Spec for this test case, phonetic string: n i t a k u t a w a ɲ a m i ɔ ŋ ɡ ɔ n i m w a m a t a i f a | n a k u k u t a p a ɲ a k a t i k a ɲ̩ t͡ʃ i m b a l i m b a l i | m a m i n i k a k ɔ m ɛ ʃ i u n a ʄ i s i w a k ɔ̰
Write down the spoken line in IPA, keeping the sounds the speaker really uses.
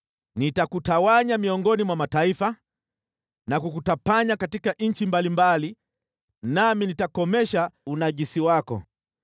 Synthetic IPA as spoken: n i t a k u t a w a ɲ a m i ɔ ŋ ɡ ɔ n i m w a m a t a i f a | n a k u k u t a p a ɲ a k a t i k a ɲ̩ t͡ʃ i m b a l i m b a l i | n a m i n i t a k ɔ m ɛ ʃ a u n a ʄ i s i w a k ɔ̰